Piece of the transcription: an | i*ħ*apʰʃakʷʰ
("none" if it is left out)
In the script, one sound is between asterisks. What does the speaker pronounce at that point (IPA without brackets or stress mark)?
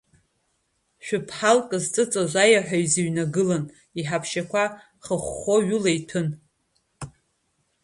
ħ